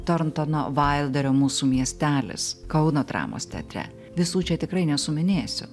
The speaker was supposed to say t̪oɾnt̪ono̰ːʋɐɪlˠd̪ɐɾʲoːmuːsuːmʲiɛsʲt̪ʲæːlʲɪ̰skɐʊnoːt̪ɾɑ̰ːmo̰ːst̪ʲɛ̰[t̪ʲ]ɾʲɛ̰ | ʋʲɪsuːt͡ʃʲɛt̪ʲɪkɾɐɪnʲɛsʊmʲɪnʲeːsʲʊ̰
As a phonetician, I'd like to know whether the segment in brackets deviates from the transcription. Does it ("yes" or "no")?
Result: no